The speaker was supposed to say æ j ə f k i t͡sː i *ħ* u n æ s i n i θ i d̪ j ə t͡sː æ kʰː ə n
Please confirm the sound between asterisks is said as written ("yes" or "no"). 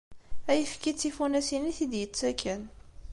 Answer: no